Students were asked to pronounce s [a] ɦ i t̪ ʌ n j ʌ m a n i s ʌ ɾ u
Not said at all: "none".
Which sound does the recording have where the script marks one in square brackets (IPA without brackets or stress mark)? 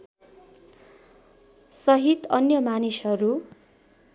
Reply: ʌ